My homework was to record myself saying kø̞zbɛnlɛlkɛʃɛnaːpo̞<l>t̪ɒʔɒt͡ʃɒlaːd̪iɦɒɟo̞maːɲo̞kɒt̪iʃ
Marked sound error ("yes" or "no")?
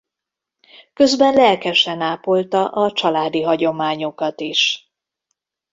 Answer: no